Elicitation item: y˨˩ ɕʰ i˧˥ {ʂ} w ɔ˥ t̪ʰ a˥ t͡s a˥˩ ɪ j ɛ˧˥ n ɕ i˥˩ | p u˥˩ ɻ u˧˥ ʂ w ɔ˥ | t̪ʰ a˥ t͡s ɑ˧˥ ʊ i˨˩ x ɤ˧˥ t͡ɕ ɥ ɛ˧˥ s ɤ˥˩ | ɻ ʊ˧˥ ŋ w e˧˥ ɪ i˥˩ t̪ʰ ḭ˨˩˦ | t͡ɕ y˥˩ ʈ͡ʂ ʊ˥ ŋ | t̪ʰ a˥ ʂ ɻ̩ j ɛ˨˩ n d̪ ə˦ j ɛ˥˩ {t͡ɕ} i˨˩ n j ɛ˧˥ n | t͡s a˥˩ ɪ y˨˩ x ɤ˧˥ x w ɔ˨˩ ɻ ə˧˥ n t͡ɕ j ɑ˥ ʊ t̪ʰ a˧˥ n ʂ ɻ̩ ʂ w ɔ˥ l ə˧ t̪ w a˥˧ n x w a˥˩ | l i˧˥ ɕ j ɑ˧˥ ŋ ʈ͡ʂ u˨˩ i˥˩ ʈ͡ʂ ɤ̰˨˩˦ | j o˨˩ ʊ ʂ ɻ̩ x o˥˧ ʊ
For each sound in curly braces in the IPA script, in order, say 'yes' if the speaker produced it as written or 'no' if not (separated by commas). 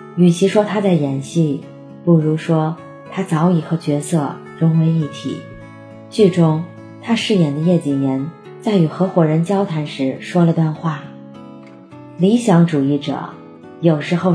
yes, yes